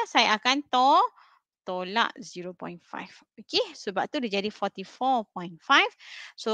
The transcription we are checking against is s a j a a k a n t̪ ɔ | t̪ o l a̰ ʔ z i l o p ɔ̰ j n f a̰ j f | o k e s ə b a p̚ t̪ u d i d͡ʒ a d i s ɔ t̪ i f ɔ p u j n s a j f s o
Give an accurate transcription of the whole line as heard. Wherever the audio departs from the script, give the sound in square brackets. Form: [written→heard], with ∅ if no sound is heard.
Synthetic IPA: s a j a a k a n t̪ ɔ | t̪ o l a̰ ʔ z i [l→ɾ] o p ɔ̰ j n f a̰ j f | o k e s ə b a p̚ t̪ u d i d͡ʒ a d i [s→f] ɔ t̪ i f ɔ p [u→ɔ] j n [s→f] a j f s o